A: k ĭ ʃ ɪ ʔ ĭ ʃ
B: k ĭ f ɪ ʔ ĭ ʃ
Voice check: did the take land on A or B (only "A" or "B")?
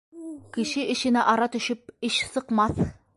A